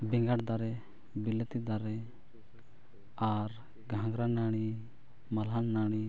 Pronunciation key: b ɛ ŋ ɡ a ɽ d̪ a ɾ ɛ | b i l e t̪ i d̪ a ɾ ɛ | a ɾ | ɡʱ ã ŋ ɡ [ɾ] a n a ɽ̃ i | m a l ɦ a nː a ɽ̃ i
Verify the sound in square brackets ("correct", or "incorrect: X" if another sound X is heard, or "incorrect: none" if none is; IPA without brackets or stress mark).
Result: correct